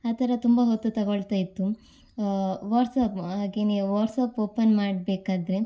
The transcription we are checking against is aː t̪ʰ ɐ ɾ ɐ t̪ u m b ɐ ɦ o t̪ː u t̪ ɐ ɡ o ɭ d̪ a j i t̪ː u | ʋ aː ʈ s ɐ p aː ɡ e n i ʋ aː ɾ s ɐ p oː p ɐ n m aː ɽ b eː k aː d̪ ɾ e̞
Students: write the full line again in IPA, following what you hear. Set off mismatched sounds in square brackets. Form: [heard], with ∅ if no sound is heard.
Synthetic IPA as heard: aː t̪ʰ ɐ ɾ ɐ t̪ u m b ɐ ɦ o t̪ː u t̪ ɐ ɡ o ɭ [t̪] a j i t̪ː u | ʋ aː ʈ s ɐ p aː ɡ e n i ʋ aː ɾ s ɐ p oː p ɐ n m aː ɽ b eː k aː d̪ ɾ e̞